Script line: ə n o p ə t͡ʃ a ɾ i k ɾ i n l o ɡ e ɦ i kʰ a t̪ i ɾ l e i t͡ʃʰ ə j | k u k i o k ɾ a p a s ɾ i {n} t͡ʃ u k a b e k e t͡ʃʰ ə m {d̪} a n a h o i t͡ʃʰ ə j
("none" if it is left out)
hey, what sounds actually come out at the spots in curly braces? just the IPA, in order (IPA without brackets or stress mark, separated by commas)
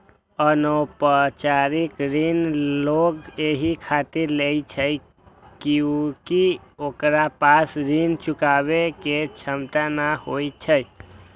n, t̪